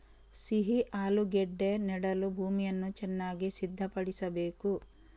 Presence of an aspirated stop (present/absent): absent